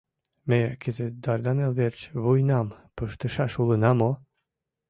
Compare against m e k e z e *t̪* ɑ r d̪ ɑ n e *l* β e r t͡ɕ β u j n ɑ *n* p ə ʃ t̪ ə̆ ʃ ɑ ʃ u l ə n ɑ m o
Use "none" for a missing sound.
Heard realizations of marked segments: d̪, l, m

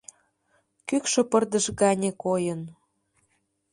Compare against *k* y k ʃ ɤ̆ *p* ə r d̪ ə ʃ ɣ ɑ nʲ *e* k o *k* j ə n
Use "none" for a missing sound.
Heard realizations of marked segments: k, p, e, none

